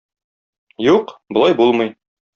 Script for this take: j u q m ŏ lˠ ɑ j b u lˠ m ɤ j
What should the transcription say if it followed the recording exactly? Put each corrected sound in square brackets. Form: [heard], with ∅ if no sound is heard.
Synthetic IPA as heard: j u q [b] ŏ lˠ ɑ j b u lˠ m ɤ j

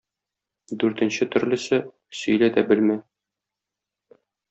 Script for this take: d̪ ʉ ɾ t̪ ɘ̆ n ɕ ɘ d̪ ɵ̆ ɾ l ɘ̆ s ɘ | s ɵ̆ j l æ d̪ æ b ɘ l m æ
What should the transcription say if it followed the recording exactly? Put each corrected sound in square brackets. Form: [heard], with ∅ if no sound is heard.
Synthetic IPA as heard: d̪ ʉ ɾ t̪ ɘ̆ n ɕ ɘ [t̪] ɵ̆ ɾ l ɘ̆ s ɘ | s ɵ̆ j l æ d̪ æ b ɘ l m æ

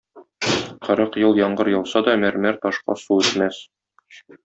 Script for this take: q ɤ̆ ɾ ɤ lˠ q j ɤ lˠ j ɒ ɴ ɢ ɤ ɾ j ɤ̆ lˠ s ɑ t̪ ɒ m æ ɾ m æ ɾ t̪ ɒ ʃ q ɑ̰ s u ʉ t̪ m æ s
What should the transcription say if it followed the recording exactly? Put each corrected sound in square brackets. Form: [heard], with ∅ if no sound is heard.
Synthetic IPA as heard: q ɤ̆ ɾ ɤ [∅] q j ɤ lˠ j ɒ ɴ ɢ ɤ ɾ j ɤ̆ lˠ s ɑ [d̪] ɒ m æ ɾ m æ ɾ t̪ ɒ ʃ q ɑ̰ s u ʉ t̪ m æ s

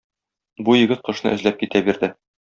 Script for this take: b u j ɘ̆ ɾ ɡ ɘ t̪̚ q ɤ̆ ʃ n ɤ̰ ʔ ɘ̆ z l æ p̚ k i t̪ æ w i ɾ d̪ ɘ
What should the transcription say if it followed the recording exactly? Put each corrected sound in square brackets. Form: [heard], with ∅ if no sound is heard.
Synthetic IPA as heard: b u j ɘ̆ [∅] ɡ ɘ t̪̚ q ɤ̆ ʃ n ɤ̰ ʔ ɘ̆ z l æ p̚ k i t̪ æ [b] i ɾ d̪ ɘ

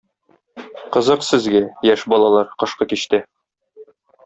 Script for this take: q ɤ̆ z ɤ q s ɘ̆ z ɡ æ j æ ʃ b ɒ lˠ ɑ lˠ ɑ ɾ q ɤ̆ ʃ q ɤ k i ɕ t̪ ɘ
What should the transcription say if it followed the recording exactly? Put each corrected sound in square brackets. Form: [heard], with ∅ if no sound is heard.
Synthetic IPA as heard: q ɤ̆ z ɤ q s ɘ̆ z ɡ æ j æ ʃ b ɒ lˠ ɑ lˠ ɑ ɾ q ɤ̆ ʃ q ɤ k i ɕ t̪ ɘ

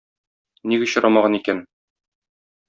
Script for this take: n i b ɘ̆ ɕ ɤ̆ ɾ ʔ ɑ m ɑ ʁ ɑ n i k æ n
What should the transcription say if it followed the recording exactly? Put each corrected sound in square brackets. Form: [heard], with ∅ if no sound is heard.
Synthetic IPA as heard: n i [ɡ] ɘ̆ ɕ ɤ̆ ɾ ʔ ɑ m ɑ ʁ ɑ n i k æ n

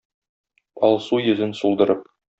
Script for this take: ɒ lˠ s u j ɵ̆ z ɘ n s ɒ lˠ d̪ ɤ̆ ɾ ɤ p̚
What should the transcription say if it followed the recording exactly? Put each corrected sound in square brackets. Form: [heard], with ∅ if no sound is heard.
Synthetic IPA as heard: ɒ lˠ s u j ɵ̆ z ɘ n s [u] lˠ d̪ ɤ̆ ɾ ɤ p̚

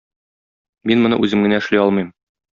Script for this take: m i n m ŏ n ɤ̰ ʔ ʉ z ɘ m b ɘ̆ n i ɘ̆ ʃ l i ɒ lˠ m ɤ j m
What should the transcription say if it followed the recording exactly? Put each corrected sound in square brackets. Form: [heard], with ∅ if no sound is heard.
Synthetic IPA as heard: m i n m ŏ n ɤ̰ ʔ ʉ z ɘ m [ɡ] ɘ̆ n [æ] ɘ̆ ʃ l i ɒ lˠ m ɤ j m

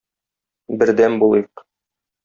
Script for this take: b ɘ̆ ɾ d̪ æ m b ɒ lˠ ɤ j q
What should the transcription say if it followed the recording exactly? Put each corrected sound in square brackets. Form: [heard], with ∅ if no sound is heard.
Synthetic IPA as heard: b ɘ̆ ɾ d̪ æ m b [u] lˠ ɤ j q

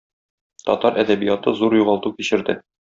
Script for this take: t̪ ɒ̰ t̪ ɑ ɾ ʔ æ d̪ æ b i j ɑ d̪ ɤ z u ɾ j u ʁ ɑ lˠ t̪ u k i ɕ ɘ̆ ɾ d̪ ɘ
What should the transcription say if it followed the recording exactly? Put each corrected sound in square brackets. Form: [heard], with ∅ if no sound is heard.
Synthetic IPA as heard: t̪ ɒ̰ t̪ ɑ ɾ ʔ æ d̪ æ b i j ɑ [t̪] ɤ z u ɾ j u ʁ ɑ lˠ t̪ u k i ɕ ɘ̆ ɾ d̪ ɘ

